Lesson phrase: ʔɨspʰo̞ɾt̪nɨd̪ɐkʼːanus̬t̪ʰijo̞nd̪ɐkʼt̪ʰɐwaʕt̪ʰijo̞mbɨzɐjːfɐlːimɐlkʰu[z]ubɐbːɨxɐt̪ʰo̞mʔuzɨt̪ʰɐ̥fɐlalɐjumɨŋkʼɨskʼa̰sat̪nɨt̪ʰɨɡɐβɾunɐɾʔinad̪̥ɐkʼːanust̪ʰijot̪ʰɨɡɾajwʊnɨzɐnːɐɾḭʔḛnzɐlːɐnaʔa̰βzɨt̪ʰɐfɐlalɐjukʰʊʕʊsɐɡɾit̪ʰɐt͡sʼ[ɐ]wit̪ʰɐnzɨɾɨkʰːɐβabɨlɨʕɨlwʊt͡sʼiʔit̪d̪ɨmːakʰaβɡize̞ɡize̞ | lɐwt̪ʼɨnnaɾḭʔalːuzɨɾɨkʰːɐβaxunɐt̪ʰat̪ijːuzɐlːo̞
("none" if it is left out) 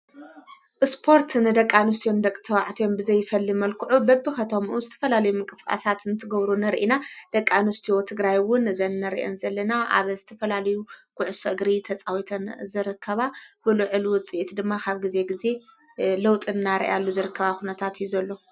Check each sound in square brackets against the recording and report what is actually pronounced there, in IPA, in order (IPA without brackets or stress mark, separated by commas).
ʕ, a